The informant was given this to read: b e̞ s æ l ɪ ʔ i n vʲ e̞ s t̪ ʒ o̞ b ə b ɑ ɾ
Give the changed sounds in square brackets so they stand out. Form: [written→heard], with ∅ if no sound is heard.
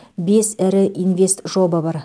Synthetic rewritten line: b e̞ s æ [l→ɾ] ɪ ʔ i n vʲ e̞ s t̪ ʒ o̞ b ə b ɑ ɾ

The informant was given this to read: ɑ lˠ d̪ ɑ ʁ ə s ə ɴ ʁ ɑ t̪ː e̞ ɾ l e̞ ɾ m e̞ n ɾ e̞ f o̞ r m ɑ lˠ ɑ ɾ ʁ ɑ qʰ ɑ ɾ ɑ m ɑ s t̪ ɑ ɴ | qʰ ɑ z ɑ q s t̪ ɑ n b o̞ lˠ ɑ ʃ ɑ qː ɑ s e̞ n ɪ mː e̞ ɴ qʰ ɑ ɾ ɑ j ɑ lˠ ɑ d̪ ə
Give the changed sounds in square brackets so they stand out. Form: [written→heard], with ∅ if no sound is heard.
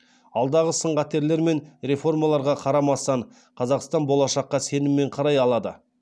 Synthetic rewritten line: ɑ lˠ d̪ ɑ ʁ ə s ə ɴ ʁ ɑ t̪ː e̞ ɾ l e̞ ɾ m e̞ n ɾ e̞ f o̞ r m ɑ lˠ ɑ ɾ ʁ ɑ qʰ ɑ ɾ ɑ m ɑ s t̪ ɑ ɴ | qʰ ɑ z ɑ q s t̪ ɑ n b o̞ lˠ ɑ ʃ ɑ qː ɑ s e̞ n ɪ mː e̞ ɴ qʰ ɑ ɾ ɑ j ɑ lˠ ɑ d̪ ə

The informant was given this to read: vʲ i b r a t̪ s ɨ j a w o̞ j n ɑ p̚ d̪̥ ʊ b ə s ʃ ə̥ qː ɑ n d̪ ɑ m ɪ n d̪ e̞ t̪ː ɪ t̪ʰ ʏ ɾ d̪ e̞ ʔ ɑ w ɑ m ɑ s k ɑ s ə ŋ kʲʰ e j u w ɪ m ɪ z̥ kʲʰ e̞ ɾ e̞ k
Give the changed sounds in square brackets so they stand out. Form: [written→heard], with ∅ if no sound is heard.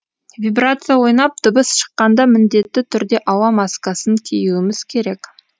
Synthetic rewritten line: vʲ i b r a t̪ s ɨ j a w o̞ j n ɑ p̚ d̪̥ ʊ b ə s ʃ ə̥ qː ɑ n d̪ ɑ m ɪ n d̪ e̞ t̪ː ɪ t̪ʰ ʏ ɾ d̪ e̞ ʔ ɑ w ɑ m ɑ s k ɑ s ə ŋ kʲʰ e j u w ɪ m ɪ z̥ kʲʰ e̞ ɾ e̞ k

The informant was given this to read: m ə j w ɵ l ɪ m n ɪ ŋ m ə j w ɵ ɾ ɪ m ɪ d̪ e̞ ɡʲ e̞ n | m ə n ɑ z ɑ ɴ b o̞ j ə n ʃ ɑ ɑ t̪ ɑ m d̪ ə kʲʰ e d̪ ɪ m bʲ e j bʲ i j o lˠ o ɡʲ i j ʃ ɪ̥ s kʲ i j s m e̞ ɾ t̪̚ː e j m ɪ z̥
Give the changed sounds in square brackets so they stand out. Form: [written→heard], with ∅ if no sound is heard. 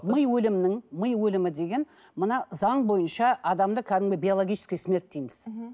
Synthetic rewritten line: m ə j w ɵ l ɪ m n ɪ ŋ m ə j w ɵ [ɾ→l] ɪ m ɪ d̪ e̞ ɡʲ e̞ n | m ə n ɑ z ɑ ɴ b o̞ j ə n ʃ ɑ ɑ [t̪→d̪] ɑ m d̪ ə kʲʰ [e→æ] d̪ ɪ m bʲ e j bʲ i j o lˠ o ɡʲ i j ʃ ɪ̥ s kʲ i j s m e̞ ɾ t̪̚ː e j m ɪ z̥

